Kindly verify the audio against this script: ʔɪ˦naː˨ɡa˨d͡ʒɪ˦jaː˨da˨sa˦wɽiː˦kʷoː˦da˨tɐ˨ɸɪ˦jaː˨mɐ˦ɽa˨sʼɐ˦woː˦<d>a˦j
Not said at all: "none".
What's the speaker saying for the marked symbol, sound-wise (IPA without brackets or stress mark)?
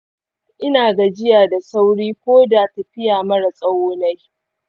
n